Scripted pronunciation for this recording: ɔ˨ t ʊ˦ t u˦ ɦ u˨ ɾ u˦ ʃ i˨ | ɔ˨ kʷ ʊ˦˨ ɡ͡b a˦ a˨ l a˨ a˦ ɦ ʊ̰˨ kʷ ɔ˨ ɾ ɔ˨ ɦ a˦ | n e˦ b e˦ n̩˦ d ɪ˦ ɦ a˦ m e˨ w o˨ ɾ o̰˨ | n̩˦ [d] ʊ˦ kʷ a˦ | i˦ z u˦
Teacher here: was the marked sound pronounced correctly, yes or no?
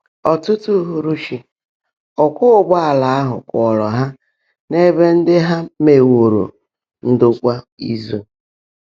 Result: yes